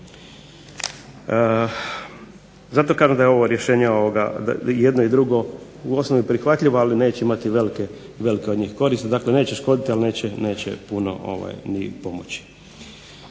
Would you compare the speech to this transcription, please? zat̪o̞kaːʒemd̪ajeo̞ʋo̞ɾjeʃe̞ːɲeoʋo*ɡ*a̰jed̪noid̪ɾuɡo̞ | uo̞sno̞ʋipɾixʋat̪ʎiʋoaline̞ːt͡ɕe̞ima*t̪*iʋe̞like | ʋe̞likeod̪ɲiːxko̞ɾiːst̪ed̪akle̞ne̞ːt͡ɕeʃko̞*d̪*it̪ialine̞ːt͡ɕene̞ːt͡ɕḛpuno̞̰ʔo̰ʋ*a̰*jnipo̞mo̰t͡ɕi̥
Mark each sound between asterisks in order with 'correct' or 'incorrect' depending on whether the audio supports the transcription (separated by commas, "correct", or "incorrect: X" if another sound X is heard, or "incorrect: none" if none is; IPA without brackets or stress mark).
correct, correct, correct, correct